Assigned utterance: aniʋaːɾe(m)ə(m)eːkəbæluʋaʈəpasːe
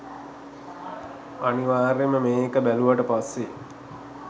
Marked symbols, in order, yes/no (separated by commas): yes, yes